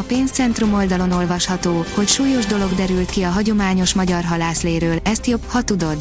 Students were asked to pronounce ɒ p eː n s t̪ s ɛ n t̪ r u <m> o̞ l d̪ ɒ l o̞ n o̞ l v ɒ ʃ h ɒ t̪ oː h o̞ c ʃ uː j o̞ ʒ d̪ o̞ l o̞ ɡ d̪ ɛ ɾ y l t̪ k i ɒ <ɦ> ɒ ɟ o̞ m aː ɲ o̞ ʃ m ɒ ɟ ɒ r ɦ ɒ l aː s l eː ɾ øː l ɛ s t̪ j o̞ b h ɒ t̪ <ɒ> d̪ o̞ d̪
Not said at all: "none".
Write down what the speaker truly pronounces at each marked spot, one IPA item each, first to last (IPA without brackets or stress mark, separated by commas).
m, ɦ, u